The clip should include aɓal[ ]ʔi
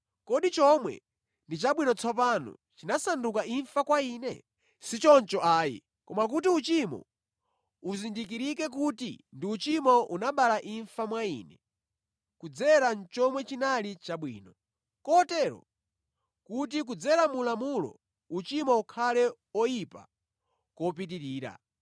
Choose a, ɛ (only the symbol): a